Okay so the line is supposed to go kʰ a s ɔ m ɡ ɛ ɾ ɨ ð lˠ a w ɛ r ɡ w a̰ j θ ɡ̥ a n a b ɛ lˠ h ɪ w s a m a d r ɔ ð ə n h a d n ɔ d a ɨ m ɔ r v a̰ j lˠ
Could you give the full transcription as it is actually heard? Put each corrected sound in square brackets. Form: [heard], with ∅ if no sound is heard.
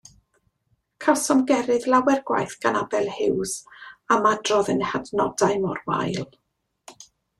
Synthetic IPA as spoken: kʰ a s ɔ m ɡ ɛ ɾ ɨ ð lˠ a w ɛ r ɡ w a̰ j θ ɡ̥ a n a b ɛ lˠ h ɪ w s a m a d r ɔ ð ə n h a d n ɔ d a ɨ m ɔ r [w] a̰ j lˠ